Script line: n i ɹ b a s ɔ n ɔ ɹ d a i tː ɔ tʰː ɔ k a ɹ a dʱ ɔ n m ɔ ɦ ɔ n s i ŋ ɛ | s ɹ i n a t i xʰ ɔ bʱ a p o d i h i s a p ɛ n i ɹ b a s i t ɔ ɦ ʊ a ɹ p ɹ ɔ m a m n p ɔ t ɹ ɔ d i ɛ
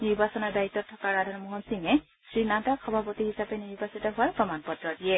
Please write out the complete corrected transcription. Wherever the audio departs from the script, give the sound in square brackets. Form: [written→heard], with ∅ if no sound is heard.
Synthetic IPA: n i ɹ b a s ɔ n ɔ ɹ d a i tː ɔ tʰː ɔ k a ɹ a dʱ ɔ n m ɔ ɦ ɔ n s i ŋ ɛ | s ɹ i n a t [i→a] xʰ ɔ bʱ a p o [d→t] i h i s a p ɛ n i ɹ b a s i t ɔ ɦ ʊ a ɹ p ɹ ɔ m a [m→∅] n p ɔ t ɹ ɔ d i ɛ